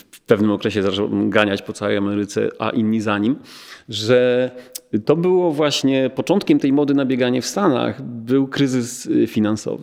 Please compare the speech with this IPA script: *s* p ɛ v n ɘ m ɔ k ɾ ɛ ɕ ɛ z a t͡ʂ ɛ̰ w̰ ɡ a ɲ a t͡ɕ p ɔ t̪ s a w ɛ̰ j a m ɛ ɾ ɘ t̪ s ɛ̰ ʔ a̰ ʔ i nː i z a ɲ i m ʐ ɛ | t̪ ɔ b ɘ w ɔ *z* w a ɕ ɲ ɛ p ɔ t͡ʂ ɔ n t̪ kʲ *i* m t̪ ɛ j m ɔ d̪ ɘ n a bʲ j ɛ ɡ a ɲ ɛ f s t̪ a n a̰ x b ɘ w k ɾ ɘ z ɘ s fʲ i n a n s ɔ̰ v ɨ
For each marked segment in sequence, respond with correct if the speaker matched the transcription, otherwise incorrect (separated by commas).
incorrect, incorrect, incorrect